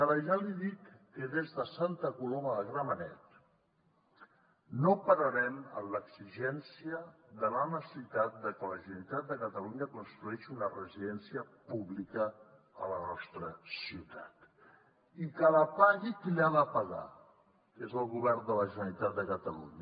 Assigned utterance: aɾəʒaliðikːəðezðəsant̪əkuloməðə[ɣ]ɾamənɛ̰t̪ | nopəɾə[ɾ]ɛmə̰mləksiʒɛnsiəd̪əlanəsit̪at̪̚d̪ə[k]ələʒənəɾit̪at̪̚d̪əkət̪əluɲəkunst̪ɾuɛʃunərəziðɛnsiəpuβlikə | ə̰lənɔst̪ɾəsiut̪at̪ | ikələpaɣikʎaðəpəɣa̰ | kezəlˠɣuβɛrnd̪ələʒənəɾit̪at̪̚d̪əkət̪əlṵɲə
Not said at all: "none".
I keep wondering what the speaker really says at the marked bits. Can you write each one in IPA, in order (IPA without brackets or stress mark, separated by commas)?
ɣ, ɾ, k